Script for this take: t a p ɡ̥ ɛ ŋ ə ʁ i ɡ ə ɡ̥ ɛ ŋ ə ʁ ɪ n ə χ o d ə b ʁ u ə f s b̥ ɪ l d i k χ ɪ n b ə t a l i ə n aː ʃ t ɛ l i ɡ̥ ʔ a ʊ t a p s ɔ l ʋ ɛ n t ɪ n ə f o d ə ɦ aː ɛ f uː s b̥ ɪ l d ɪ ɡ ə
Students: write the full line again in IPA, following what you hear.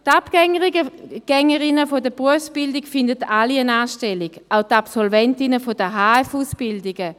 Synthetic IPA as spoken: t a p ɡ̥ ɛ ŋ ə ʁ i ɡ ə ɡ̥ ɛ ŋ ə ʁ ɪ n ə f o d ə b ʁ u ə f s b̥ ɪ l d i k f ɪ n d ə t a l i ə n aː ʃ t ɛ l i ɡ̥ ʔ a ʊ t a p s ɔ l v ɛ n t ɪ n ə f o d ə ɦ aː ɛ f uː s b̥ ɪ l d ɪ ɡ ə